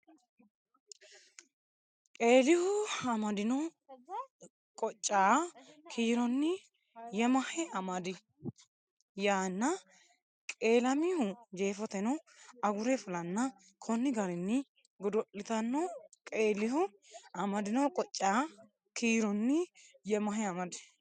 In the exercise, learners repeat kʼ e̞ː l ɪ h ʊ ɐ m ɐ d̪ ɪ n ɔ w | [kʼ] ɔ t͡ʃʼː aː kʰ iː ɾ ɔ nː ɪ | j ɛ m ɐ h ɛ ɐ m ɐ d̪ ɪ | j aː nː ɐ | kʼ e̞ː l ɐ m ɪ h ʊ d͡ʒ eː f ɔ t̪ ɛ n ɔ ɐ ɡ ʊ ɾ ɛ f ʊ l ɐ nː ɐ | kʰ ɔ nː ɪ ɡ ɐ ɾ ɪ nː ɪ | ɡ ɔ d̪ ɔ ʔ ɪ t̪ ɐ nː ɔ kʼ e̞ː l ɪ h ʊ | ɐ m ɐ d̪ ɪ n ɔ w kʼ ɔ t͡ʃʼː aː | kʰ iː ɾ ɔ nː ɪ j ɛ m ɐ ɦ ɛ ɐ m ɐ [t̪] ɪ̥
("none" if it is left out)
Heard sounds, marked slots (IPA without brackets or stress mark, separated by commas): kʼ, d̪